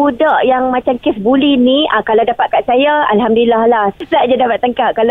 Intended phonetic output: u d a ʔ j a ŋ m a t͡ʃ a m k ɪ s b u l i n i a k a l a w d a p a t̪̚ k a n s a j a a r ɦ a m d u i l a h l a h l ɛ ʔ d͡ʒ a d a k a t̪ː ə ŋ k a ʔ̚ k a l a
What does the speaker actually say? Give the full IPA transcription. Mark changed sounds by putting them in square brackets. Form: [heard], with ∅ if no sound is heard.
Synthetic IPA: u d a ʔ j a ŋ m a t͡ʃ a m k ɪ s b u l i n i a k a l a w d a p a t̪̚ k a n s a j a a [l] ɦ a m d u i l a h l a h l [a] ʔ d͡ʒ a d a [p] a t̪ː ə ŋ k a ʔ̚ k a l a